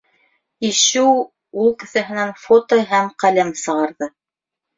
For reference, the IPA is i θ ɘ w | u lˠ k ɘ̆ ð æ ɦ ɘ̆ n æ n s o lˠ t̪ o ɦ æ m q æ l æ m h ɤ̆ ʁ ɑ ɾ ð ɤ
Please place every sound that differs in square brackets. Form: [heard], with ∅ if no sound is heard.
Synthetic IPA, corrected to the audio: i [ʃ] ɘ w | u lˠ k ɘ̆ [θ] æ ɦ ɘ̆ n æ n [f] o [∅] t̪ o ɦ æ m q æ l æ m [s] ɤ̆ ʁ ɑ ɾ ð ɤ